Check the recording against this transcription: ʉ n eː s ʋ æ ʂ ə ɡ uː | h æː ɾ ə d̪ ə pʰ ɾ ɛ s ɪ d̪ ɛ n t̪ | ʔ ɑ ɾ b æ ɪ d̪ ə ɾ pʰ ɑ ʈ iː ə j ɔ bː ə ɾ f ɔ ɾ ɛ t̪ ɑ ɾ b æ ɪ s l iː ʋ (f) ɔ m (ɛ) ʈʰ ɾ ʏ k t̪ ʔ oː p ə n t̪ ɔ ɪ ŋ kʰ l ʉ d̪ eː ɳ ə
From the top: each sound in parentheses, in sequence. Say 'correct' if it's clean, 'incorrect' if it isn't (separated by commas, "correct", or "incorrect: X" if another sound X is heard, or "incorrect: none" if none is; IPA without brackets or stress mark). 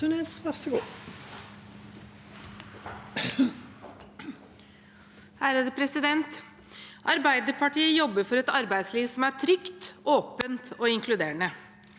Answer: incorrect: s, incorrect: æ